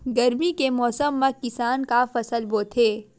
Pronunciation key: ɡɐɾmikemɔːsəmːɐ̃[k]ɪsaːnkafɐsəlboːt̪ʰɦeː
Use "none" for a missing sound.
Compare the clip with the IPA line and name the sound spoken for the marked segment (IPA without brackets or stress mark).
k